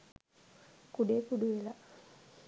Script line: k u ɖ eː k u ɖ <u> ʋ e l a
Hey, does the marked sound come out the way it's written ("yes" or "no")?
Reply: yes